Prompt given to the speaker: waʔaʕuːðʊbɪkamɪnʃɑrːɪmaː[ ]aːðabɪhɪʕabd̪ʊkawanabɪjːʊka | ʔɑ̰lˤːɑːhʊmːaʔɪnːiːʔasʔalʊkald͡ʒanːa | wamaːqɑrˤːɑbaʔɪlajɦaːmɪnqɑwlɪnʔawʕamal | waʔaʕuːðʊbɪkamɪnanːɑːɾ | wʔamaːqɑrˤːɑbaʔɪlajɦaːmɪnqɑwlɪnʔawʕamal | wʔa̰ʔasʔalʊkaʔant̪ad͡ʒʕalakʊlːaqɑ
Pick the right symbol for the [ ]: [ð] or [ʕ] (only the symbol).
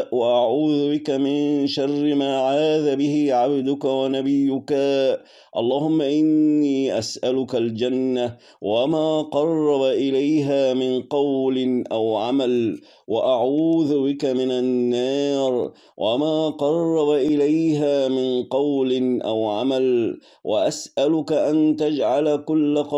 ʕ